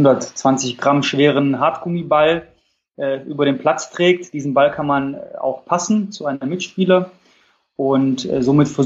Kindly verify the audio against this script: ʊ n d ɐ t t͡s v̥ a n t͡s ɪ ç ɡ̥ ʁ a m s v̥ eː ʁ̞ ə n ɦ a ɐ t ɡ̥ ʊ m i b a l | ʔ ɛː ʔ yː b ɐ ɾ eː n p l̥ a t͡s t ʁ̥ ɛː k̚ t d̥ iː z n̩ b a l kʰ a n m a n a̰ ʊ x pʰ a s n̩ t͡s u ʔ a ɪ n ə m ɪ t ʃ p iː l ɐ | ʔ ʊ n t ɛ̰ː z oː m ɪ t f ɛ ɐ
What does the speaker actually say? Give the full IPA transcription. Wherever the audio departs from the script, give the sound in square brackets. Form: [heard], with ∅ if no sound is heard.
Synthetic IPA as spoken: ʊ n d ɐ t t͡s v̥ a n t͡s ɪ ç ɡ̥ ʁ a m [ʃ] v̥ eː ʁ̞ ə n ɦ a ɐ t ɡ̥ ʊ m i b a l | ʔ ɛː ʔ yː b ɐ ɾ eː n p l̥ a t͡s t ʁ̥ ɛː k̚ t d̥ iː z n̩ b a l kʰ a n m a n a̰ ʊ x pʰ a s n̩ t͡s u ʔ a ɪ n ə m ɪ t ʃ p iː l ɐ | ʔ ʊ n t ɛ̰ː z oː m ɪ t f ɛ ɐ